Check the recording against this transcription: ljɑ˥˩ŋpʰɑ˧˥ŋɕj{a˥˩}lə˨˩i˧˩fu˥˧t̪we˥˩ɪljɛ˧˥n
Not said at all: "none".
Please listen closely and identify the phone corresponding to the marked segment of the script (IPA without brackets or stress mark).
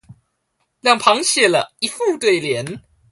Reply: ɛ˥˩